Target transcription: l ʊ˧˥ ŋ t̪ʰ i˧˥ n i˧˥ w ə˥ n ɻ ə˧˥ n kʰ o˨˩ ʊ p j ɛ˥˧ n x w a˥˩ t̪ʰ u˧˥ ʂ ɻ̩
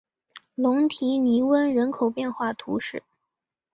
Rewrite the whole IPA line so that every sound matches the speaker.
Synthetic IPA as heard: l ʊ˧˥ ŋ t̪ʰ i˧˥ n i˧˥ w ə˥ n ɻ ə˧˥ n kʰ o˨˩ ʊ p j ɛ˥˧ n x w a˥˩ t̪ʰ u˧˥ ʂ ɻ̩